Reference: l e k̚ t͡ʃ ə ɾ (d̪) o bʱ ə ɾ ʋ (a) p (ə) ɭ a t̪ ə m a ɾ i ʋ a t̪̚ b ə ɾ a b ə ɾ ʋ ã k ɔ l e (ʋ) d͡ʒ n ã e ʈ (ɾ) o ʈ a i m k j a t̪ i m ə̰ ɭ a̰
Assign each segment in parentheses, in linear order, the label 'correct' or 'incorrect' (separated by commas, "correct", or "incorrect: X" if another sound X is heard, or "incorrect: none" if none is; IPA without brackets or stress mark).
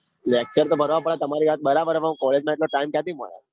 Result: incorrect: t̪, correct, correct, incorrect: none, incorrect: l